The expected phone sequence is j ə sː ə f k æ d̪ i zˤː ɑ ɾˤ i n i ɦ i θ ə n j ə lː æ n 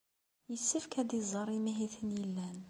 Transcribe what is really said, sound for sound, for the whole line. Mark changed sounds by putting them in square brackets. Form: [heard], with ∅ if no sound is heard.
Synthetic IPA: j ə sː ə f k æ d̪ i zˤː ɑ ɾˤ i [m] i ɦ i θ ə n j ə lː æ n